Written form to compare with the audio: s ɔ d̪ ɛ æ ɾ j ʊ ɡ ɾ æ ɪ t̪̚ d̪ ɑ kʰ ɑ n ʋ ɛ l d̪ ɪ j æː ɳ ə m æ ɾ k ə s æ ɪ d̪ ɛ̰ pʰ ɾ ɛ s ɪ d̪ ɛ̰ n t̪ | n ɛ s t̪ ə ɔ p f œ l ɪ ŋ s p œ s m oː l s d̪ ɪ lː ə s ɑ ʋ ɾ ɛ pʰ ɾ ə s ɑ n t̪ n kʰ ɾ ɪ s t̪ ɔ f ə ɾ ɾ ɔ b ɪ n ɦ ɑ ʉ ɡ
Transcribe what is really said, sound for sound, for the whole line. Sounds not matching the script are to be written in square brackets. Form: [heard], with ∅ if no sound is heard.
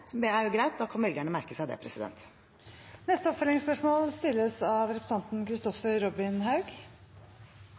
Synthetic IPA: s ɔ d̪ ɛ æ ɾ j ʊ ɡ ɾ æ ɪ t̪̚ d̪ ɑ kʰ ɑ n ʋ ɛ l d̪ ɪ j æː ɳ ə m æ ɾ k ə s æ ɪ d̪ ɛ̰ pʰ ɾ ɛ s ɪ d̪ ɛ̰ n t̪ | n ɛ s t̪ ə ɔ p f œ l ɪ ŋ s p œ [ʂ] m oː l s [t̪] ɪ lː ə s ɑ ʋ ɾ ɛ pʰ ɾ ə s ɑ n t̪ n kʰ ɾ ɪ s t̪ ɔ f ə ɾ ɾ ɔ b ɪ n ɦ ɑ ʉ ɡ